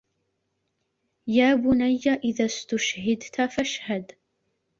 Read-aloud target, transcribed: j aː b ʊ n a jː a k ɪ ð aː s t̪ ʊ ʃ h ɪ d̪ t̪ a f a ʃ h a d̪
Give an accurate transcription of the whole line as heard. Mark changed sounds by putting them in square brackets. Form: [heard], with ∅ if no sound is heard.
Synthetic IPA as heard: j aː b ʊ n a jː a [ʔ] ɪ ð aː s t̪ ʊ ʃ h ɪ d̪ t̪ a f a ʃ h a d̪